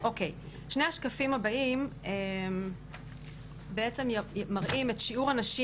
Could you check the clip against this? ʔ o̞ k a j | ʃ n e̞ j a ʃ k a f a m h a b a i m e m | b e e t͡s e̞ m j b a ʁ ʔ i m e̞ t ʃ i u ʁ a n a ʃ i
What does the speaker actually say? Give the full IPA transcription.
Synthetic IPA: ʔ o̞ k e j | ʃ n e̞ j a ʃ k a f i m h a b a i m e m | b e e t͡s e̞ m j m a ʁ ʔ i m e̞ t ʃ i u ʁ a n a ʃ i

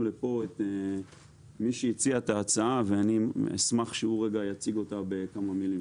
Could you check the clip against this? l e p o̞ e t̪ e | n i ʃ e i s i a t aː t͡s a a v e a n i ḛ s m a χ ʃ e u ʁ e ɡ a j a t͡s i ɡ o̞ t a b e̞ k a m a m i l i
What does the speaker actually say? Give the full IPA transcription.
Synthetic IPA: l e p o̞ e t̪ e | m i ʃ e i t͡s i a t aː t͡s a a v e a n i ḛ s m a χ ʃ e u ʁ e ɡ a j a t͡s i ɡ o̞ t a b e̞ k a m a m i l i

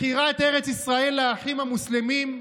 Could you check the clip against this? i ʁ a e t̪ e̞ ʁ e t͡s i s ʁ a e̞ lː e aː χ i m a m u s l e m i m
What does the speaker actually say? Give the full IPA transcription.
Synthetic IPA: i ʁ a e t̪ e̞ ʁ e t͡s i s ʁ a e̞ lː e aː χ i m a m u s l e m i m

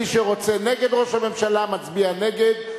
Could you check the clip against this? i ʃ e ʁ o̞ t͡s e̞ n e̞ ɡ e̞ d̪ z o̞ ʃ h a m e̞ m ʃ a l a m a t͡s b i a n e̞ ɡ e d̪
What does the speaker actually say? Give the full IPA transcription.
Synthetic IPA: i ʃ e ʁ o̞ t͡s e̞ n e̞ ɡ e̞ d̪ ʁ o̞ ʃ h a m e̞ m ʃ a l a m a t͡s b i a n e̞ ɡ e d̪

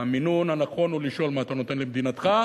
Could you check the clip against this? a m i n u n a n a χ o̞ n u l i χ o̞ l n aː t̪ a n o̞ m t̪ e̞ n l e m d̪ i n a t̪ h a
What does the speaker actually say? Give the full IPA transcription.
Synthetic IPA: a m i n u n a n a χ o̞ n u l i ʃ o̞ l m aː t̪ a n o̞ t̪ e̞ n l e m d̪ i n a t̪ χ a

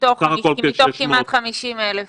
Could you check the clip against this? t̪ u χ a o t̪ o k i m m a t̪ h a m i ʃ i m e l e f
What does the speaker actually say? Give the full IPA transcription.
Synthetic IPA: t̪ o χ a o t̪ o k i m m a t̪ χ a m i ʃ i m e l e f

